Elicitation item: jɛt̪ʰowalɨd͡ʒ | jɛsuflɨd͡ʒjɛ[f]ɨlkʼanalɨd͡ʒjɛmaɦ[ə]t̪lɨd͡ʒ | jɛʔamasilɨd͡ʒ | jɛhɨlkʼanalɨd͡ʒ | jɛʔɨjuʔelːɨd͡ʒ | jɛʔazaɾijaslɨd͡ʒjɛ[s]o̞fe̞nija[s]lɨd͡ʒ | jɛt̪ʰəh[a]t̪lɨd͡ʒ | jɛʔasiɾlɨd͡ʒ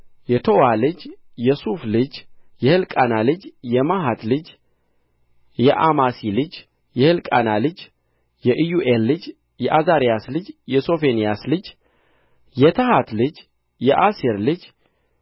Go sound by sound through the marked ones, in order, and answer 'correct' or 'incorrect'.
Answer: incorrect, incorrect, correct, correct, correct

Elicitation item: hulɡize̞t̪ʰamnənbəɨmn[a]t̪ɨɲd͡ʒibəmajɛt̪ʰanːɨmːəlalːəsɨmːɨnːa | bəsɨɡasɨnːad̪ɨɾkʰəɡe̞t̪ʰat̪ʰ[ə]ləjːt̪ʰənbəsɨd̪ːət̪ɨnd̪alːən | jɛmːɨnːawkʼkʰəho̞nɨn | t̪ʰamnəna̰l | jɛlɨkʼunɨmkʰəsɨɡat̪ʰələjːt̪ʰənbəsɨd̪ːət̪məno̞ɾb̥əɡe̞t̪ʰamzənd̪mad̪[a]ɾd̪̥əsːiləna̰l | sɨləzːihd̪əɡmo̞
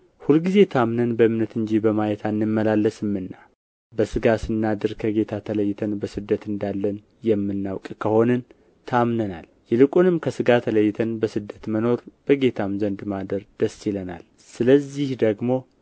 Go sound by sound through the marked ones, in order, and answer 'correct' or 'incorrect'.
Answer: incorrect, correct, incorrect

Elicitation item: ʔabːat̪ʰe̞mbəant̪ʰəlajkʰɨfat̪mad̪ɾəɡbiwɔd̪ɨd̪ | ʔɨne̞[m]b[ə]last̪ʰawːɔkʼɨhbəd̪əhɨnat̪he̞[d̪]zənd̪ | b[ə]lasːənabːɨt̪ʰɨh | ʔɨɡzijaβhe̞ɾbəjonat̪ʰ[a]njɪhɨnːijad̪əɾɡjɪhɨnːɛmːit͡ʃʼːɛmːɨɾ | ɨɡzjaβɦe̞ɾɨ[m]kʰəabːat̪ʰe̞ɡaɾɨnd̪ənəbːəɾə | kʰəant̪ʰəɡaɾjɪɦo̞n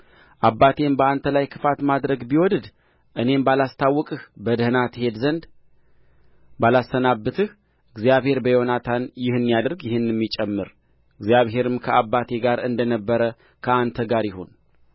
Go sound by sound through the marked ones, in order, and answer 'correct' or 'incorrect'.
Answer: correct, incorrect, correct, incorrect, correct, correct

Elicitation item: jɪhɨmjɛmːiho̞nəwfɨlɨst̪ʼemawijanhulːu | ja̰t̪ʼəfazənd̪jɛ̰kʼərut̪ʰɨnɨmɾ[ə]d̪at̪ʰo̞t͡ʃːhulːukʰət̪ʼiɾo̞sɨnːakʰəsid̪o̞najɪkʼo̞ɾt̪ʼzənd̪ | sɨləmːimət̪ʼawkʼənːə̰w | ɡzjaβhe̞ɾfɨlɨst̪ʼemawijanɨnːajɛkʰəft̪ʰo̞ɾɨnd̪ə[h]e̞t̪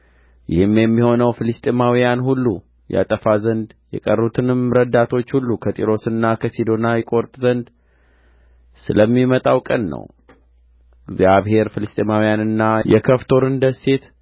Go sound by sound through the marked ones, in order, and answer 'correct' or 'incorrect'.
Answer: correct, incorrect

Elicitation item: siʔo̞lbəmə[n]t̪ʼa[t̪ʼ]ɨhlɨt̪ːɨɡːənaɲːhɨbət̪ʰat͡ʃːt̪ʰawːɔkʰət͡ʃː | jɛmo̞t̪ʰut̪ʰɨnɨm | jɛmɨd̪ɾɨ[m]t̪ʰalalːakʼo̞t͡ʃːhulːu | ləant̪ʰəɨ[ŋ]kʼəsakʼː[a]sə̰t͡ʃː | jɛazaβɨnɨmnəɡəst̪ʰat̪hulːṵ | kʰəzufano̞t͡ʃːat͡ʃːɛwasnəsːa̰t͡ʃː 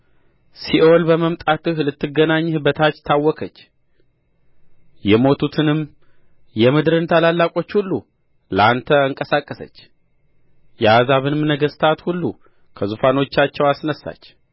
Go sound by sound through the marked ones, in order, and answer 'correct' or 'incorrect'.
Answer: incorrect, incorrect, incorrect, correct, incorrect

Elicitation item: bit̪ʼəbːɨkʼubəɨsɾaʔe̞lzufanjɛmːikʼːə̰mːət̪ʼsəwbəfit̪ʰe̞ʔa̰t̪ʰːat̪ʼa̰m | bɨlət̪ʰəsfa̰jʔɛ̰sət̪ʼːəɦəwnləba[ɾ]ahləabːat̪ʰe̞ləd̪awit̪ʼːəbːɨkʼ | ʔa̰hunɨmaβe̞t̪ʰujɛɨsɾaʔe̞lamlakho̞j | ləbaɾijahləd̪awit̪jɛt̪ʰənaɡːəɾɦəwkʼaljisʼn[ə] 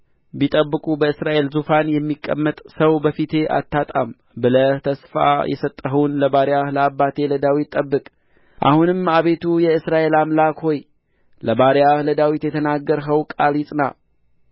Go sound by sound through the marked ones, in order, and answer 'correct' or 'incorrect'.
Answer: correct, incorrect

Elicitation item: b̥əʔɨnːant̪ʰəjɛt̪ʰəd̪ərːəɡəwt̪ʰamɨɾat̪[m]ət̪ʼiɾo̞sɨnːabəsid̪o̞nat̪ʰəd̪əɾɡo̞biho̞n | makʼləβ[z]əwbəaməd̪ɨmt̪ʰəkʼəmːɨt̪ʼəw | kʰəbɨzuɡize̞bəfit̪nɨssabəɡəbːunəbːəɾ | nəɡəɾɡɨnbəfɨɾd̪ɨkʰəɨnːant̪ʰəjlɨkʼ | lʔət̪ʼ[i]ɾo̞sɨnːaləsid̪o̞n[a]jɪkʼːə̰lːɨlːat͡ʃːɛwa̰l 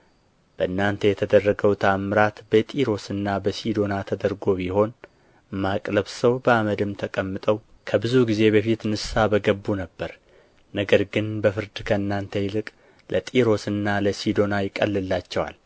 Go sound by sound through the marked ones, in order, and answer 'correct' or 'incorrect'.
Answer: incorrect, incorrect, correct, correct

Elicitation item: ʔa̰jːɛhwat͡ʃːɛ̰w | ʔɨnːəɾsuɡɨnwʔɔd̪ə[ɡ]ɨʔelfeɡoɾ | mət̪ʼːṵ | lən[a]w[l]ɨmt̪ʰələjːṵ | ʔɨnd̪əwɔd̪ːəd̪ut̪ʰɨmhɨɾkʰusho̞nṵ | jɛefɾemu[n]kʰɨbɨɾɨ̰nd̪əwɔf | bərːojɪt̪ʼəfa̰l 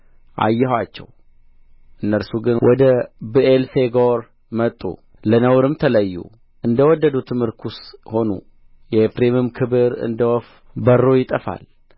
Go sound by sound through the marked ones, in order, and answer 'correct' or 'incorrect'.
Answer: incorrect, incorrect, incorrect, incorrect

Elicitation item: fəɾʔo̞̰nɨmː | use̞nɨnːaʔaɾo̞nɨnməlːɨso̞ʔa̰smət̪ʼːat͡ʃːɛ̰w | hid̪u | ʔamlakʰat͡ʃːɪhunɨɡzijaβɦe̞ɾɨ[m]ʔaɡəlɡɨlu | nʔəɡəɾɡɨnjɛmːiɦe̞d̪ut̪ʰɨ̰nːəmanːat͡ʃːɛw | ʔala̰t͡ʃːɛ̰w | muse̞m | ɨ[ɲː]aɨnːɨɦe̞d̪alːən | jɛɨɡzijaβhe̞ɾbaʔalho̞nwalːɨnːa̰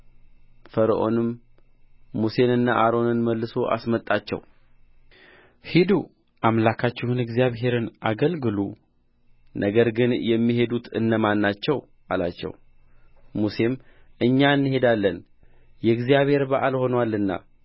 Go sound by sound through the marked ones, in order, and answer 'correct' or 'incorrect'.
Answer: incorrect, correct

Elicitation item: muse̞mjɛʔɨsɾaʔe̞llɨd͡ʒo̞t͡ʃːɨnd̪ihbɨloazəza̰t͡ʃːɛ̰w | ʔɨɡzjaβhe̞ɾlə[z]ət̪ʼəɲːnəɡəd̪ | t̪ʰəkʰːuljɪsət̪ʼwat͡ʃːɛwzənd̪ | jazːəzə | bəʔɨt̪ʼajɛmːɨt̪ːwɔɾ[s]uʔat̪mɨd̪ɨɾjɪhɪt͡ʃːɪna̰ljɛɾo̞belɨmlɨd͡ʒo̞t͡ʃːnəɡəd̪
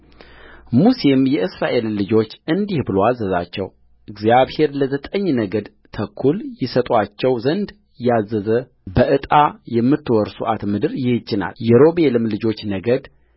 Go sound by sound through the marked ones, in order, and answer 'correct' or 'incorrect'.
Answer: correct, correct

